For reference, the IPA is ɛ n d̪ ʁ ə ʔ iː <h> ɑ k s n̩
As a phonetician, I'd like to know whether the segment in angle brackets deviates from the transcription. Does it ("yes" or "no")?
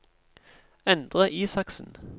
yes